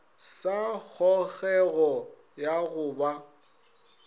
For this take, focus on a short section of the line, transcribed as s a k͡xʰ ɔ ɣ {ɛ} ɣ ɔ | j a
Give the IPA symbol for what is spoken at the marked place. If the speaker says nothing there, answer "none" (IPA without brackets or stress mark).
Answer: ɛ